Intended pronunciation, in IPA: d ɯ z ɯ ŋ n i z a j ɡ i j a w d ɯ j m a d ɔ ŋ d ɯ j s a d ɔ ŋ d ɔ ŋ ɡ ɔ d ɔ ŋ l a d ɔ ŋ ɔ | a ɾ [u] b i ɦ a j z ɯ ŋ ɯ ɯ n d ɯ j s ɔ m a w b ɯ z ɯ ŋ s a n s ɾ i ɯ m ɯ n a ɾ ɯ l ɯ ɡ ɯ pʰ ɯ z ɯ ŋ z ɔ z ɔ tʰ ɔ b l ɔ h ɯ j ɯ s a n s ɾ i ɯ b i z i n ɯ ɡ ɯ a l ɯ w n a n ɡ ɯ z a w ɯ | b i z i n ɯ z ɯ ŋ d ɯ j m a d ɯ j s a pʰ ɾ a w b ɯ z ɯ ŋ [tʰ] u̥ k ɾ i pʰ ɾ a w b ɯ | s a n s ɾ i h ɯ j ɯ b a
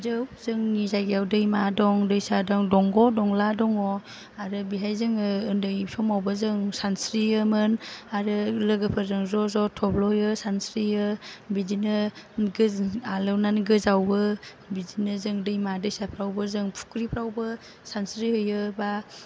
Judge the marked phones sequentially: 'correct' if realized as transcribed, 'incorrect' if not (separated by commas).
incorrect, incorrect